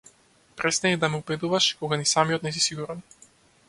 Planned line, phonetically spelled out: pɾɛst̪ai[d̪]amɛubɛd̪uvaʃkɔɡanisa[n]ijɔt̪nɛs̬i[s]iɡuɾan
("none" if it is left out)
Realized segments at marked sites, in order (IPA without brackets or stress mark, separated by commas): d̪, m, s